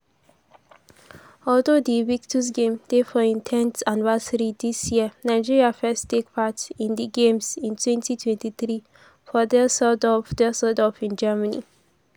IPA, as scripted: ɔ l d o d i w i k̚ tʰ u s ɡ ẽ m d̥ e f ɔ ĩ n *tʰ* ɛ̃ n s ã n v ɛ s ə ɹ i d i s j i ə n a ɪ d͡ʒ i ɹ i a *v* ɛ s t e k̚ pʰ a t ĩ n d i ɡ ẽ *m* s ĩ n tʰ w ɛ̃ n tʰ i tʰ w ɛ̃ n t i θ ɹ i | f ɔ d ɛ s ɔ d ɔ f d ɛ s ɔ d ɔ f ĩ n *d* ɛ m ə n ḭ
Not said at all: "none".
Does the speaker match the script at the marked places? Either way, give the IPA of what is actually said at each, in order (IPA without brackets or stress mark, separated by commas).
tʰ, f, m, d͡ʒ